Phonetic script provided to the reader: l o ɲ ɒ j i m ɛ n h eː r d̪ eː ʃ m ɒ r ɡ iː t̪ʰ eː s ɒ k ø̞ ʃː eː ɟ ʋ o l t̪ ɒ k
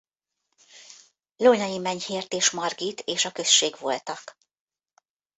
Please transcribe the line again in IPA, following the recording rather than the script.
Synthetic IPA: l o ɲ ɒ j i m ɛ ɲ h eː r t̪ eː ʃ m ɒ r ɡ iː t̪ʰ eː ʃ ɒ k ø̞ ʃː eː ɡ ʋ o l t̪ ɒ k